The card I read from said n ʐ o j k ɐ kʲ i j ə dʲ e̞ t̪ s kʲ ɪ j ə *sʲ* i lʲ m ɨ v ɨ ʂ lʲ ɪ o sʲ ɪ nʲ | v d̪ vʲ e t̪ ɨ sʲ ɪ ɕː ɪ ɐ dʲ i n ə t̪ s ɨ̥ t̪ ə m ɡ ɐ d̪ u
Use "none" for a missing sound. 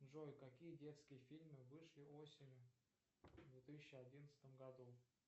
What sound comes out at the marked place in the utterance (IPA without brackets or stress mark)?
fʲ